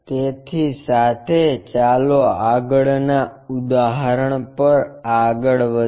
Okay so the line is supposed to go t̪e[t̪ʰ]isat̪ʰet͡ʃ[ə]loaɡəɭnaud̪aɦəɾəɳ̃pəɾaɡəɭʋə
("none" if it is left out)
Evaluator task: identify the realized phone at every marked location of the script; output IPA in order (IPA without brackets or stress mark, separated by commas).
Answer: t̪ʰ, a